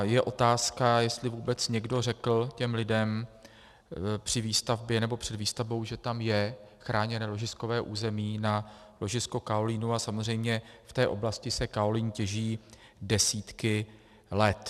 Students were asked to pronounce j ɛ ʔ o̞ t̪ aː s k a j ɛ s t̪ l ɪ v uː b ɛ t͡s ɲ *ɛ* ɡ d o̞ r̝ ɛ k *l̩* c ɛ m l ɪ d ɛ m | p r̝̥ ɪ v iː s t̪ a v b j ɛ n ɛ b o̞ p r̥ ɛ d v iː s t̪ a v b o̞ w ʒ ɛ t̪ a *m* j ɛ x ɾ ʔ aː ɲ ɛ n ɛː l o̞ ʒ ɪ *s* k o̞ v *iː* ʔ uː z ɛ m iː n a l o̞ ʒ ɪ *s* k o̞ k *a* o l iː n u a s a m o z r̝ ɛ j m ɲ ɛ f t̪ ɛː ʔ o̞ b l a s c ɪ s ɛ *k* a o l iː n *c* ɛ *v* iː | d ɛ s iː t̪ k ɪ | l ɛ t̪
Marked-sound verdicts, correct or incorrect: correct, correct, correct, correct, incorrect: ɛː, correct, correct, correct, correct, incorrect: ʒ

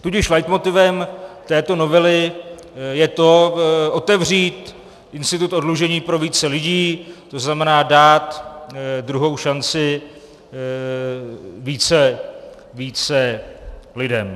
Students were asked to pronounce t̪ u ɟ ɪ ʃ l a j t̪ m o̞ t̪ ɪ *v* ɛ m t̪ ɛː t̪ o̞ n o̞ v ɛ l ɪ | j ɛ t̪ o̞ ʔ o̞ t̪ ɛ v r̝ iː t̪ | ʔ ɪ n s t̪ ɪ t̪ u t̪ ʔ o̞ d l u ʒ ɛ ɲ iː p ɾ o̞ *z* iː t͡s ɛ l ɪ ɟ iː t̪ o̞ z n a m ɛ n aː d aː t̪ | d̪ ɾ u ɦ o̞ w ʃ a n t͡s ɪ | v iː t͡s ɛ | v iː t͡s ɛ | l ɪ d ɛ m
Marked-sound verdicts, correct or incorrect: correct, incorrect: v

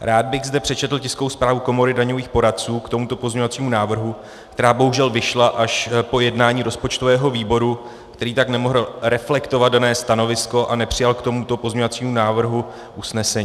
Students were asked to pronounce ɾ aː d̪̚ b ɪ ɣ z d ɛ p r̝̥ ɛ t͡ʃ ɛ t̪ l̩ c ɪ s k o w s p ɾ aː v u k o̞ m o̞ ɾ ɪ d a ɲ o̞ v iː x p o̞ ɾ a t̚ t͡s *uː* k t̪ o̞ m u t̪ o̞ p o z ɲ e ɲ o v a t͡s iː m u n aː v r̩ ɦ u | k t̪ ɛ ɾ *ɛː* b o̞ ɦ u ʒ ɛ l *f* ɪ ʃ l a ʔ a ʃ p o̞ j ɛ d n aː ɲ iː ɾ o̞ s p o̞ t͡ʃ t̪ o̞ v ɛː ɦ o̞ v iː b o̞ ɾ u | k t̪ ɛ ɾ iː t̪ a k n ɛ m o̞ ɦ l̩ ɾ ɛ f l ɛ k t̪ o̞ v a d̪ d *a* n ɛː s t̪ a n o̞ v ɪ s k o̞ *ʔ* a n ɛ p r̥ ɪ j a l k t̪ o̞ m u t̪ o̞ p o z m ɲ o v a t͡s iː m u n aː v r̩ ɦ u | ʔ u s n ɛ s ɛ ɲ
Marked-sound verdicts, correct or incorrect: correct, incorrect: aː, incorrect: v, correct, correct

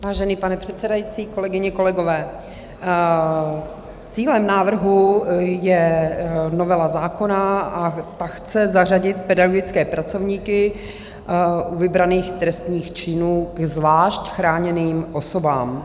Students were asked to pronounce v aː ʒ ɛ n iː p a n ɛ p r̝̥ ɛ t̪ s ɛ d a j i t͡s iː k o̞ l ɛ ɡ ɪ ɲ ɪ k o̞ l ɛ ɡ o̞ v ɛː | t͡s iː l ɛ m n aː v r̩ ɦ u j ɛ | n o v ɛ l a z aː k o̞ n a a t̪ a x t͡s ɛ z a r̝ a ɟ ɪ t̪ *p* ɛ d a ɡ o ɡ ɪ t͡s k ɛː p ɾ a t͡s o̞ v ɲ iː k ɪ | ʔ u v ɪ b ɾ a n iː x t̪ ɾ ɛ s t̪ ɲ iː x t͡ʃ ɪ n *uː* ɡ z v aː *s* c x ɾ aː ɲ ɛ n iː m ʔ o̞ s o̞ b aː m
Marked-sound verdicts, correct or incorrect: correct, correct, incorrect: ʃ

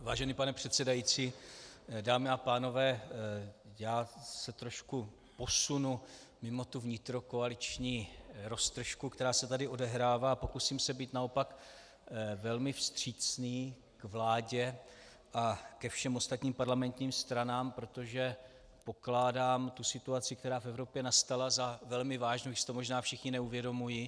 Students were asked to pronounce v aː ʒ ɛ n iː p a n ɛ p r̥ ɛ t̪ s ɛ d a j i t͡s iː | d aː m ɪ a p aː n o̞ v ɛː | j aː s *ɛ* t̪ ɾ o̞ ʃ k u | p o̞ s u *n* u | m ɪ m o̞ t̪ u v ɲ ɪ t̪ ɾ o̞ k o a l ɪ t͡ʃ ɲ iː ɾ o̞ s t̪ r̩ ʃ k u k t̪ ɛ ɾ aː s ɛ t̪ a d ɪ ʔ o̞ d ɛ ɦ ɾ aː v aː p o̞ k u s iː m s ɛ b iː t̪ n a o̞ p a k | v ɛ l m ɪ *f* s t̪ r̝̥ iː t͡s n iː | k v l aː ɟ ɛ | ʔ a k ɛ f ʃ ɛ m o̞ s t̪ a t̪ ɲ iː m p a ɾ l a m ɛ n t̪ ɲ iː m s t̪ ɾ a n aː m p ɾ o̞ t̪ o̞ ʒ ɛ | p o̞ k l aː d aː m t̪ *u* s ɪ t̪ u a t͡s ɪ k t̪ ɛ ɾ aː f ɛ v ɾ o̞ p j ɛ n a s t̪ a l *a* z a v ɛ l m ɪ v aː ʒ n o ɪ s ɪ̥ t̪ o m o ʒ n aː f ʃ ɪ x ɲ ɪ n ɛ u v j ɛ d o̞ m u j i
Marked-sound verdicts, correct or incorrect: correct, correct, correct, correct, correct

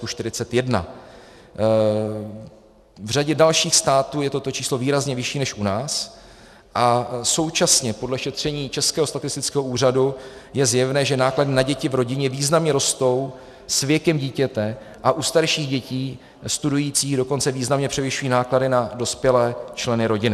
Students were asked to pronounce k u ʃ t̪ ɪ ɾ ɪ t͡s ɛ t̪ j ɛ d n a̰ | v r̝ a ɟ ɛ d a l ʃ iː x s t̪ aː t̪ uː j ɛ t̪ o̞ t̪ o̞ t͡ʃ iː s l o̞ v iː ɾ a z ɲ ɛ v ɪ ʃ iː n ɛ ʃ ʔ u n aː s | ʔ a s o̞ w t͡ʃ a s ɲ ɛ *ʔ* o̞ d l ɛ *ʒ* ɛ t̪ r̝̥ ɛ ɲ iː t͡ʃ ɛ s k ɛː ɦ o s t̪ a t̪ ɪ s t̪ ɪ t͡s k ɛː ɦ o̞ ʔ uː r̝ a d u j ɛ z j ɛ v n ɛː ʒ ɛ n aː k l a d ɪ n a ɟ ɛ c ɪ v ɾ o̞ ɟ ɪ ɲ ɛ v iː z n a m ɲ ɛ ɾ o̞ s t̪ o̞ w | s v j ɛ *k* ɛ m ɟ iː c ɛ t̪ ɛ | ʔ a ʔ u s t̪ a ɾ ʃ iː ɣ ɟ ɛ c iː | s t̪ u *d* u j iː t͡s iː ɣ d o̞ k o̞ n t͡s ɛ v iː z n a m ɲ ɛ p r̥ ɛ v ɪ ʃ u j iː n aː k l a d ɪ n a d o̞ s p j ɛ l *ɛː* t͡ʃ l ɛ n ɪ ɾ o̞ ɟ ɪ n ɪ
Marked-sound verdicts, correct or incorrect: incorrect: p, incorrect: ʃ, correct, correct, correct

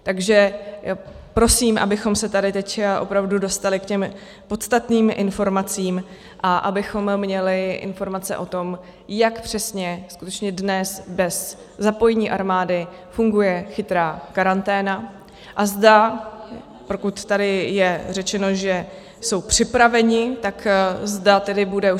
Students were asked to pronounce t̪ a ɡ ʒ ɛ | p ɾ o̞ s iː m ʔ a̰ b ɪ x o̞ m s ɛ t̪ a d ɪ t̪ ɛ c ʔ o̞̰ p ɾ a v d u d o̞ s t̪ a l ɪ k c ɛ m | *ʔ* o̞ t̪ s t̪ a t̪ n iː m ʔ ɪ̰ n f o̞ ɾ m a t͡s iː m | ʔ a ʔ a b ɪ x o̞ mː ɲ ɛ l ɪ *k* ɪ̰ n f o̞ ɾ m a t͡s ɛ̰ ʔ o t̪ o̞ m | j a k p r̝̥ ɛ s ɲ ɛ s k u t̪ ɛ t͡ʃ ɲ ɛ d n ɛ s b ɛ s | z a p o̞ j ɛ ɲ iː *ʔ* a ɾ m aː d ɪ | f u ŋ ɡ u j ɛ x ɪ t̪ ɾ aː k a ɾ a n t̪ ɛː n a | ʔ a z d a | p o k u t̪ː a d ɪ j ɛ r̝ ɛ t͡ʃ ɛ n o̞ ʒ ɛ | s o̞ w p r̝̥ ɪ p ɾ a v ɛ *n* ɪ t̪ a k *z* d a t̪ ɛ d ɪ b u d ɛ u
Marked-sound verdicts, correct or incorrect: incorrect: p, incorrect: ʔ, correct, incorrect: ɲ, correct

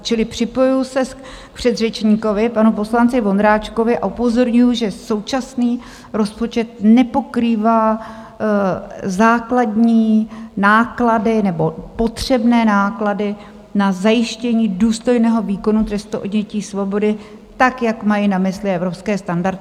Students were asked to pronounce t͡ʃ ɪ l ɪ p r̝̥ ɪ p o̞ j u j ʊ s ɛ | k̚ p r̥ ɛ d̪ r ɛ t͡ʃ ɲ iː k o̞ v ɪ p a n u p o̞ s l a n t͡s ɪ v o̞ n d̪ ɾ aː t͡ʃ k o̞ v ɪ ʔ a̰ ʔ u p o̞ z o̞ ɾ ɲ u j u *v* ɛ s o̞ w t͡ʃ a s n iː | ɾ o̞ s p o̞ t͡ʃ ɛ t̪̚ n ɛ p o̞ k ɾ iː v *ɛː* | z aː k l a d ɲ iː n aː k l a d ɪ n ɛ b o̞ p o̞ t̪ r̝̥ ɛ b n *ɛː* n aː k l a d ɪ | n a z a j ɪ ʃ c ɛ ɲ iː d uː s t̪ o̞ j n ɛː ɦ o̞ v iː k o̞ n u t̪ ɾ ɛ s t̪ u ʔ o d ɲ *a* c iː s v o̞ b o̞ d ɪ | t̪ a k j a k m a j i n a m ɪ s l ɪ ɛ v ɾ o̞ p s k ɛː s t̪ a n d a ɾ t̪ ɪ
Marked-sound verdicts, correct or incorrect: incorrect: ʒ, incorrect: aː, correct, incorrect: ɛ

